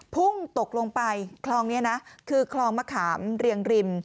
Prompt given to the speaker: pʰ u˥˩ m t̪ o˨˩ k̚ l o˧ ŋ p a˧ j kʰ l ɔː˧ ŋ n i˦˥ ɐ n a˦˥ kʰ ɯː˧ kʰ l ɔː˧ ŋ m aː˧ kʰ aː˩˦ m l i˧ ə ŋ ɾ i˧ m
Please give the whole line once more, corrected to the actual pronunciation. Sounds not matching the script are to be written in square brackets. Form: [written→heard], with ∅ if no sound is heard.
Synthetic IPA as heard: pʰ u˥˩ [m→ŋ] t̪ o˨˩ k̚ l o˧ ŋ p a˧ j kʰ l ɔː˧ ŋ n i˦˥ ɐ n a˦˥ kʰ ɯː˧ kʰ l ɔː˧ ŋ m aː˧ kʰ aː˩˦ m [l→ɾ] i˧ ə ŋ ɾ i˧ m